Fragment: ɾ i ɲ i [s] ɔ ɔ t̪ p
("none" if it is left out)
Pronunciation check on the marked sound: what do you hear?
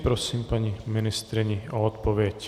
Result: none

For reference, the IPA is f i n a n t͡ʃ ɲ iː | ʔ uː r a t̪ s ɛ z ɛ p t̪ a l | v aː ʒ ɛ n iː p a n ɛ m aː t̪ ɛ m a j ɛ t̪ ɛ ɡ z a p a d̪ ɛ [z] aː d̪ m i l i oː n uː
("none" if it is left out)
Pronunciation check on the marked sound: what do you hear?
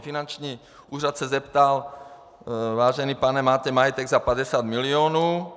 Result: s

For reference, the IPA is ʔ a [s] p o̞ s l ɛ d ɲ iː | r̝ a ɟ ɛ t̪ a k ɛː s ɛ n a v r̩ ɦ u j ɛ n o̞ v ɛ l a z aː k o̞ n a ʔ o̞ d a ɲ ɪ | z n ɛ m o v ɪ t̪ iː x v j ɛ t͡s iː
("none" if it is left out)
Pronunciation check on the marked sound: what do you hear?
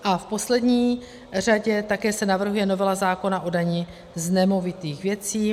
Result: f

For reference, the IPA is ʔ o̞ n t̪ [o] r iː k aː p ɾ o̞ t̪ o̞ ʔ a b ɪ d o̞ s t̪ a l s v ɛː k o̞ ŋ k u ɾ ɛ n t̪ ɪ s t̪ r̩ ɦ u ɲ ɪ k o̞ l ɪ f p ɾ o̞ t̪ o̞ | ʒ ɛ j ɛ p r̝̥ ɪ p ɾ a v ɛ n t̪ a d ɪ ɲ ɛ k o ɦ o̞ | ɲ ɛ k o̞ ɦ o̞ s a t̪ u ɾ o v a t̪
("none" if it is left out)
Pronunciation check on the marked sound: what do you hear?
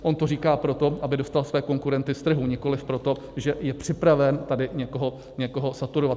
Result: o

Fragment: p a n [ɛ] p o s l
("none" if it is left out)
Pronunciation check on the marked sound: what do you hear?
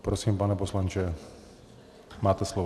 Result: ɛ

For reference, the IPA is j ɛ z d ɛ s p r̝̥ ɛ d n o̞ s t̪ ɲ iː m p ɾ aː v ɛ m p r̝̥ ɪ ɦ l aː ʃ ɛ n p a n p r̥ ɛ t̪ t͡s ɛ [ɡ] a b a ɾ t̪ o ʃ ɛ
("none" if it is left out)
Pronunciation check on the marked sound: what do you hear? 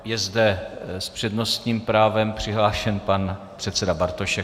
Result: d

